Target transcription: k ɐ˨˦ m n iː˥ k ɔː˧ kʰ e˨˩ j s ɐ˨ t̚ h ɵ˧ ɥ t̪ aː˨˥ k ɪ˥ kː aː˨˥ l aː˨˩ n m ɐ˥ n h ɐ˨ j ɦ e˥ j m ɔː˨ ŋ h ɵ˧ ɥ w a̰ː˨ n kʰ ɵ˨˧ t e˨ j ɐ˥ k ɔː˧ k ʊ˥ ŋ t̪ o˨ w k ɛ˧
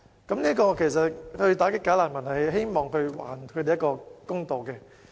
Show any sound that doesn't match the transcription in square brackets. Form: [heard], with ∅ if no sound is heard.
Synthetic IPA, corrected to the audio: k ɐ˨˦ m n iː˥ k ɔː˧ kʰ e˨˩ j s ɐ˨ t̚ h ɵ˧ ɥ t̪ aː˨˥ k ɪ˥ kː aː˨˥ l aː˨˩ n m [ɐ˨˩] n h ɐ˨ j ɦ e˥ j m ɔː˨ ŋ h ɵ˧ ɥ w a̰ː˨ n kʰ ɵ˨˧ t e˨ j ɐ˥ k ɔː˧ k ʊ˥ ŋ t̪ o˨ w k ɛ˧